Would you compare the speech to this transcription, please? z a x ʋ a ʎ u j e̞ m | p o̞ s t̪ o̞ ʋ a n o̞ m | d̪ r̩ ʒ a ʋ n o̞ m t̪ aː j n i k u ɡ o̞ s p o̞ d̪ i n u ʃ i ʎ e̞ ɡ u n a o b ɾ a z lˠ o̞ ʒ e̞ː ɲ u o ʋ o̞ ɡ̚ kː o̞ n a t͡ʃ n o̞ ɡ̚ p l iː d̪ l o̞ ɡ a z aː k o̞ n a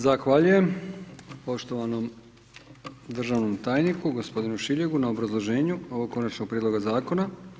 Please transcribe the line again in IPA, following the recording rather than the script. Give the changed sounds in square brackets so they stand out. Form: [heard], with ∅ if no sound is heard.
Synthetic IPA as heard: z a x ʋ a ʎ u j e̞ m | p o̞ [ʃ] t̪ o̞ ʋ a n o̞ m | d̪ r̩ ʒ a ʋ n o̞ m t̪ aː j n i k u ɡ o̞ s p o̞ d̪ i n u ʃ i ʎ e̞ ɡ u n a o b ɾ a z lˠ o̞ ʒ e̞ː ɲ u o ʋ o̞ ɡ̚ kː o̞ n a t͡ʃ n o̞ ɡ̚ p [ɾ] iː d̪ l o̞ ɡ a z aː k o̞ n a